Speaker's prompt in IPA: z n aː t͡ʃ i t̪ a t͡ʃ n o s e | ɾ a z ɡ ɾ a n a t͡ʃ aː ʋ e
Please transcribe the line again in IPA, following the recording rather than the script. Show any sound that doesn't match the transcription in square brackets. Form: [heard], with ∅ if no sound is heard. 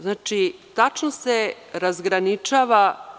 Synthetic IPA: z n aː t͡ʃ i t̪ a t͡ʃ n o s e | ɾ a z ɡ ɾ a n [i] t͡ʃ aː ʋ [a]